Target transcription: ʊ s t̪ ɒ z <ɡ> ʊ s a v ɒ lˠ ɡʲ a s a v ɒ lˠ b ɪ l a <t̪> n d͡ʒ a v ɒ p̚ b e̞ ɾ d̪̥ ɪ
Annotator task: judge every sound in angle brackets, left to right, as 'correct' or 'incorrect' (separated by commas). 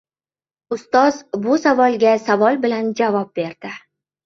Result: incorrect, incorrect